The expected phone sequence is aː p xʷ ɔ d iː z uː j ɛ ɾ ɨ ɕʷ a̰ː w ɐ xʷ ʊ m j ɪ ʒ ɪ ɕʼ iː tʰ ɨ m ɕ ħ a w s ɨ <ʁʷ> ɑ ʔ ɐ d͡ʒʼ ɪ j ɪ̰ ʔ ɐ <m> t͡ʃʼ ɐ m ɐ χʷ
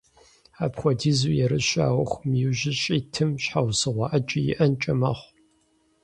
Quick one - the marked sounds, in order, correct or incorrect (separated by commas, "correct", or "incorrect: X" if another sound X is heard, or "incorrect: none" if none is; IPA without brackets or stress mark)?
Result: correct, incorrect: n